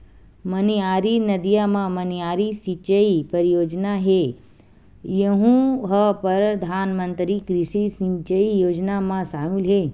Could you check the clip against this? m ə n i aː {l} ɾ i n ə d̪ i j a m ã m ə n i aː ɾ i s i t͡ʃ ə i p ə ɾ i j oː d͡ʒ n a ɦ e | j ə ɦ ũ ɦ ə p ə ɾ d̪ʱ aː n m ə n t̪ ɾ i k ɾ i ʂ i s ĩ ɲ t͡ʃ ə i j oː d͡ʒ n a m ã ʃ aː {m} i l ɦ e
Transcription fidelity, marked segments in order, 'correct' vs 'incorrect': incorrect: none, correct

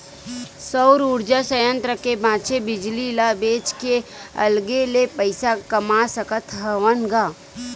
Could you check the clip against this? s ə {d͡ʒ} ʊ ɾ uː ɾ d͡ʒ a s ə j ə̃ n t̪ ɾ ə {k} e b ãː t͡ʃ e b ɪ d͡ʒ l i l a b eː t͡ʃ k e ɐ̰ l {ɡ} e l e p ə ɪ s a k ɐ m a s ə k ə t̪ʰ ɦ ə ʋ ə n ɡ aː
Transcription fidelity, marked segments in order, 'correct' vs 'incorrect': incorrect: none, correct, correct

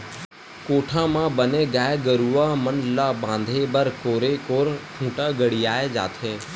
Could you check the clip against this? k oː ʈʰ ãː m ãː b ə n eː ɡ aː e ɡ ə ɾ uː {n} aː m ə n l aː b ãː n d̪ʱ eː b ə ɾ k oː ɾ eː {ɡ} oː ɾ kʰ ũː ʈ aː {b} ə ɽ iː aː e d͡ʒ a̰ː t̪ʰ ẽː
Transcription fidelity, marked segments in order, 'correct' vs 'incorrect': incorrect: none, incorrect: k, incorrect: ɡ

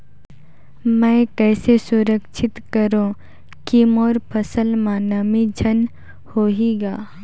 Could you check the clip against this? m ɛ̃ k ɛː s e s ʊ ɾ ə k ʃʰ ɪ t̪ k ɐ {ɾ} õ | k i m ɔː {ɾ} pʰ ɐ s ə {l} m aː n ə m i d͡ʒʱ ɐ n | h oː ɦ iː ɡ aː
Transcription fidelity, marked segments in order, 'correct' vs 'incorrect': correct, correct, correct

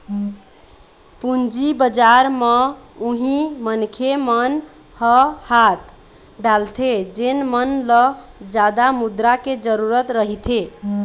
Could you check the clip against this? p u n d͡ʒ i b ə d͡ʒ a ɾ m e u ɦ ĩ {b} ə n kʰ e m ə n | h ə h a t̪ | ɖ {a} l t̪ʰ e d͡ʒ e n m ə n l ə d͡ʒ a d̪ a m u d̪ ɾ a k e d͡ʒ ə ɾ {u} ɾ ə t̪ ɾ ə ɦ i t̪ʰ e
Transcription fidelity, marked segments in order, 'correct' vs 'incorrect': incorrect: m, correct, correct

